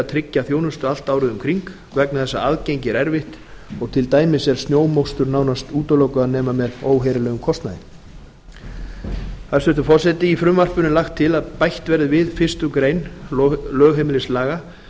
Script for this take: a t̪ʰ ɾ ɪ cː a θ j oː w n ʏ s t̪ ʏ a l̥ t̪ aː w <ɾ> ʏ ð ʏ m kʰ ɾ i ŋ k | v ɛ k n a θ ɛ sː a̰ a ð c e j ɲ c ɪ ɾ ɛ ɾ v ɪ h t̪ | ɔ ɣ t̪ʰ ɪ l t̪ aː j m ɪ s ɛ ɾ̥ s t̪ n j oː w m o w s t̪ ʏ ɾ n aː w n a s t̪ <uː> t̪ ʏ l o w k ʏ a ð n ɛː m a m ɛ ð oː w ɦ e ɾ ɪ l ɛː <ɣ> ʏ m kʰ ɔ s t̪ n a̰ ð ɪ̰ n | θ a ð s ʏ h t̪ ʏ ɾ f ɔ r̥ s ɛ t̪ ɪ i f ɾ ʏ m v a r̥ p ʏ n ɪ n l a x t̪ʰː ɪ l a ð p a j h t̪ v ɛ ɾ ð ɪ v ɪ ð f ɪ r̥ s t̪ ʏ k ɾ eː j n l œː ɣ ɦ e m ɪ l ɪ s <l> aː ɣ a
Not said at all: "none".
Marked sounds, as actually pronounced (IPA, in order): ɾ, uː, ɣ, l

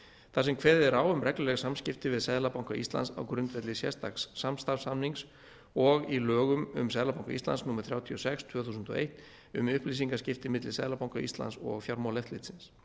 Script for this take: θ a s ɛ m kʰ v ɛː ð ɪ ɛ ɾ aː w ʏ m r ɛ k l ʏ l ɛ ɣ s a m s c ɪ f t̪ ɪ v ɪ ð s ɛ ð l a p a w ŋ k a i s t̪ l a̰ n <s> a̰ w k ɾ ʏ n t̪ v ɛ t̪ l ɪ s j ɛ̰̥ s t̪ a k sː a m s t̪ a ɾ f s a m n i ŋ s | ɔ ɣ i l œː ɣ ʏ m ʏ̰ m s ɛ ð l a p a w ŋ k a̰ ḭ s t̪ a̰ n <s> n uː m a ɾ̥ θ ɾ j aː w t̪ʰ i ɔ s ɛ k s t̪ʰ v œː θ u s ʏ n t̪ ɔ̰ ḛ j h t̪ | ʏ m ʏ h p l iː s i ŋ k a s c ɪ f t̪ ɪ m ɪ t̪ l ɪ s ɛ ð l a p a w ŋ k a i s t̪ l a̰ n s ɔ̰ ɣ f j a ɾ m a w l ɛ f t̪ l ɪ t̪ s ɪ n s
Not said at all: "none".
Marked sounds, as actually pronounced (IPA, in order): s, s

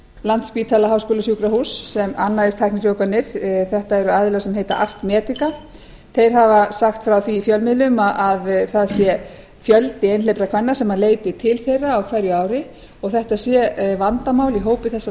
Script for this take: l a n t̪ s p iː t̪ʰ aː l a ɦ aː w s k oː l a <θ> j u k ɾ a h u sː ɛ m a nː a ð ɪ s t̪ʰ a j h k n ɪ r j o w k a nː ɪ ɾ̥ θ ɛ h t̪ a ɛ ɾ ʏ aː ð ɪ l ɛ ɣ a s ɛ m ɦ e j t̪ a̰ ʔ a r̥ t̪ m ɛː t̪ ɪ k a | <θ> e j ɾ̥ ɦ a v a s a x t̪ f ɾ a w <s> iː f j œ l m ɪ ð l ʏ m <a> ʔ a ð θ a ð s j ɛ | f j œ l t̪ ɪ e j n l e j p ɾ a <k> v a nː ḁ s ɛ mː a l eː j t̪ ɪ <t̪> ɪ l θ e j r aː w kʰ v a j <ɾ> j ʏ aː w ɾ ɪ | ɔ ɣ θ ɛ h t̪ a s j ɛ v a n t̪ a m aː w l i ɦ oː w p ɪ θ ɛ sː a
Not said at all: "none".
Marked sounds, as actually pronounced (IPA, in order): s, θ, θ, a, kʰ, t̪ʰ, ɾ

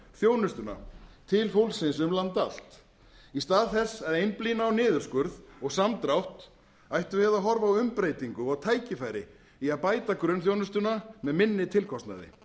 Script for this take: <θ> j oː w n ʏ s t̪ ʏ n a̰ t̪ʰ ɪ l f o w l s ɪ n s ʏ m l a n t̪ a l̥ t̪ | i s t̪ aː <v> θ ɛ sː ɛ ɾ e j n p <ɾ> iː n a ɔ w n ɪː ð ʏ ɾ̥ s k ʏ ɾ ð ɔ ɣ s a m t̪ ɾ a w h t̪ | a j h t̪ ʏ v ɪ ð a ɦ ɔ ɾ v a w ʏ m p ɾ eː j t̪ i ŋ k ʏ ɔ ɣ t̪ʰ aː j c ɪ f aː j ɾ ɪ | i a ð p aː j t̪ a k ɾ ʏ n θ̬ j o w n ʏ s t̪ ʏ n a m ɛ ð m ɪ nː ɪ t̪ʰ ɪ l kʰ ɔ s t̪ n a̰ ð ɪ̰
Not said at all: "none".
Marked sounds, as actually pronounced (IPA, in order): θ, ð, l

